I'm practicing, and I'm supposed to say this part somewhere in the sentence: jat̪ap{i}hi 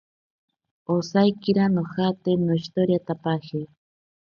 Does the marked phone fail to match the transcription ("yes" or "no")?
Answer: yes